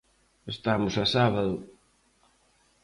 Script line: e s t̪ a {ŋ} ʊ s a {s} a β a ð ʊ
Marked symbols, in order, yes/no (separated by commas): no, yes